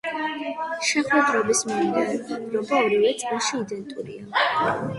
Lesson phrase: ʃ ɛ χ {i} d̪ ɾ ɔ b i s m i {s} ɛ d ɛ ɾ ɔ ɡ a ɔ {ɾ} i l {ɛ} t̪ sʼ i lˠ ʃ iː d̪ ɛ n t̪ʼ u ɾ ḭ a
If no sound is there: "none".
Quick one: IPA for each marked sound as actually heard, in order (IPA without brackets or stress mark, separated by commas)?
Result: ɛ, none, ɾ, ɛ